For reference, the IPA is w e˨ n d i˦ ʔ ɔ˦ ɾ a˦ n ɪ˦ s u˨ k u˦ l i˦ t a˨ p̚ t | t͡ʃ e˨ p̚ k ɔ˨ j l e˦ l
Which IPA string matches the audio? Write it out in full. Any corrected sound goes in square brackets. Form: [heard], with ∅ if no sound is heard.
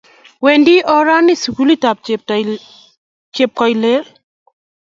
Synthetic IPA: w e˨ n d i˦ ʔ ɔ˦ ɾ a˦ n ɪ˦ s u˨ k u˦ l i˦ t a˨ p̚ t | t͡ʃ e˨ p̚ k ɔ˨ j l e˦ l